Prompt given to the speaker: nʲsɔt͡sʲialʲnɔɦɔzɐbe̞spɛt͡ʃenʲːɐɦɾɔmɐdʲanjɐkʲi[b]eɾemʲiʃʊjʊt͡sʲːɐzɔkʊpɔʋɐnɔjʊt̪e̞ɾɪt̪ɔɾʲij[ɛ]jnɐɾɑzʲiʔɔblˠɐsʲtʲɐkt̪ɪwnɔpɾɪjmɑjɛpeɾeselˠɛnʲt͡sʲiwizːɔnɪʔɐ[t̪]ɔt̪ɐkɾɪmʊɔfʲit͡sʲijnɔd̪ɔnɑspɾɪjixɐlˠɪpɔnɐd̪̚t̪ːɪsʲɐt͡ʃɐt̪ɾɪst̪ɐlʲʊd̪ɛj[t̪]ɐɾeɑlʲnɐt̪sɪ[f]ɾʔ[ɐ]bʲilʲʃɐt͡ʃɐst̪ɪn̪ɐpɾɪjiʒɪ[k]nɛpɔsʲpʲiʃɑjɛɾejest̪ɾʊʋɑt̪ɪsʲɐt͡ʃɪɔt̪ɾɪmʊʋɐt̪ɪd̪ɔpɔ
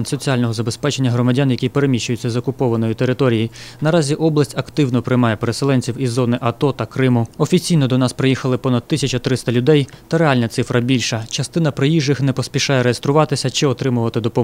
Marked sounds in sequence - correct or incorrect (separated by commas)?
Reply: incorrect, incorrect, correct, correct, correct, correct, incorrect